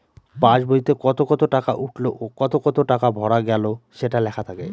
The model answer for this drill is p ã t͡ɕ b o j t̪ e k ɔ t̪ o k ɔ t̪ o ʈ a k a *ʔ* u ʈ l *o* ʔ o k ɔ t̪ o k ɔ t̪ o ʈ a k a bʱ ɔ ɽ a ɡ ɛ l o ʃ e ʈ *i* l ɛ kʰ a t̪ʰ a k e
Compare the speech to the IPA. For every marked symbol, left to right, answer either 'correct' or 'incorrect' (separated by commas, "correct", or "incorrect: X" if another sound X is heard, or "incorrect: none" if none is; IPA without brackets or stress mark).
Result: correct, correct, incorrect: a